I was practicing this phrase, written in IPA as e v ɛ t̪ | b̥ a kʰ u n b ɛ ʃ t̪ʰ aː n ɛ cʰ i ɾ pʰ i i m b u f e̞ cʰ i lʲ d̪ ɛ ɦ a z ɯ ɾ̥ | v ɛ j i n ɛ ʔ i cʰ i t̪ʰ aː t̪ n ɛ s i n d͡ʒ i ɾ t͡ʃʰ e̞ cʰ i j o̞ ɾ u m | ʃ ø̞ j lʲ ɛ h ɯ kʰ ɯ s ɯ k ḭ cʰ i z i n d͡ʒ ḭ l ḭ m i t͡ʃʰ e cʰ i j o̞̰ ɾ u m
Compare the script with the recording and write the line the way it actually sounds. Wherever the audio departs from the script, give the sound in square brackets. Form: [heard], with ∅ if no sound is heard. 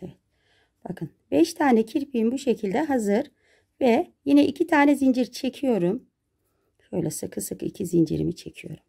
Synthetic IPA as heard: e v ɛ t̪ | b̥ a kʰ [ɯ] n b ɛ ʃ t̪ʰ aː n ɛ cʰ i ɾ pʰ i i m b u [ʃ] e̞ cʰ i lʲ d̪ ɛ ɦ a z ɯ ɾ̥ | v ɛ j i n ɛ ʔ i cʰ i t̪ʰ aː [∅] n ɛ [z] i n d͡ʒ i ɾ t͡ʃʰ e̞ cʰ i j o̞ ɾ u m | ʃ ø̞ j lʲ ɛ [s] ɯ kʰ ɯ s ɯ k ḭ cʰ i z i n d͡ʒ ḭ [ɾ] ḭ m i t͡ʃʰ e cʰ i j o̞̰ ɾ u m